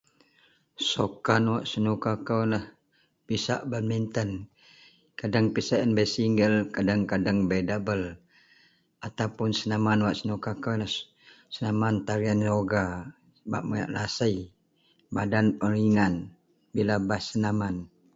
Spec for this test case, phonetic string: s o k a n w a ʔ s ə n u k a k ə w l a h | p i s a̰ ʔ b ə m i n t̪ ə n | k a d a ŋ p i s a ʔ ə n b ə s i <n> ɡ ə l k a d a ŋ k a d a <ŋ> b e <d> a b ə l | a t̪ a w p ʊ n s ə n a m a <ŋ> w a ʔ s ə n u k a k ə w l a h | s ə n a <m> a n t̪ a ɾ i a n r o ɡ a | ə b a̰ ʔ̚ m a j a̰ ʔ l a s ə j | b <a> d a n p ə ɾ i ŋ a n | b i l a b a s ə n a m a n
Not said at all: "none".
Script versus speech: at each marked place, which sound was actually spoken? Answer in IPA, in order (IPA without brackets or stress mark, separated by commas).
ŋ, ŋ, d, n, m, a